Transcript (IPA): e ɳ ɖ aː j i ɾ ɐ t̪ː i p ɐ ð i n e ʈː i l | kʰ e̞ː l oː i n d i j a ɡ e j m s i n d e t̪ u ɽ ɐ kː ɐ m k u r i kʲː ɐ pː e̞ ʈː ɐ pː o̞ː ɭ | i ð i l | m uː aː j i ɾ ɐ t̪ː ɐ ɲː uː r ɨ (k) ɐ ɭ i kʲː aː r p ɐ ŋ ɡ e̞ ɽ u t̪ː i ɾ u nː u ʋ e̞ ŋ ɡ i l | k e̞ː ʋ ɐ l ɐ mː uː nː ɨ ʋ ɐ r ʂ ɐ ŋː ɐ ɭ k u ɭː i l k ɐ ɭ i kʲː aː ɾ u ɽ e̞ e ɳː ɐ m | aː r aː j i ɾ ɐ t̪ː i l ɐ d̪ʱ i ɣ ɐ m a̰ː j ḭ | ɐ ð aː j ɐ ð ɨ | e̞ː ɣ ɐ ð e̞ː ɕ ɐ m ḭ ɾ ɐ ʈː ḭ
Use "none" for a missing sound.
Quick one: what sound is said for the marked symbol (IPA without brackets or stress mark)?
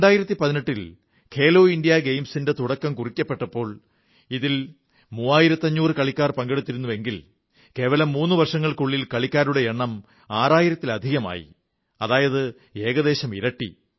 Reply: k